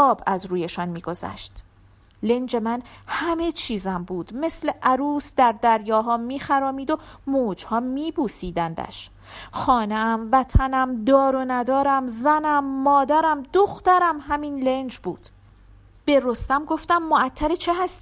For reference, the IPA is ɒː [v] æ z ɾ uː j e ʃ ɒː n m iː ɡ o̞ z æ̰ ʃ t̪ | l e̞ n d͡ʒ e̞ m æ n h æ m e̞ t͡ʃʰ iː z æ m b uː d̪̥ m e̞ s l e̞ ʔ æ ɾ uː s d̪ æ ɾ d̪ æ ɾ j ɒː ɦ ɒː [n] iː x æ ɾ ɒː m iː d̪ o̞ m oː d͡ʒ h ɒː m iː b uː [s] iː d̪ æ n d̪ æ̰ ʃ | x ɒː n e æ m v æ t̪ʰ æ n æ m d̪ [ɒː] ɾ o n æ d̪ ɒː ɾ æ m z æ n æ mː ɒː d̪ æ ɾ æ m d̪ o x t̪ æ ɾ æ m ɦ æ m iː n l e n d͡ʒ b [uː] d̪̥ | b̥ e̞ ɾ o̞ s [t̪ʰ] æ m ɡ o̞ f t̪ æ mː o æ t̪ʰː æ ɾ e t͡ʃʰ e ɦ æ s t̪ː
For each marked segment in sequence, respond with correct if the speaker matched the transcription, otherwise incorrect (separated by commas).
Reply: incorrect, incorrect, correct, correct, correct, incorrect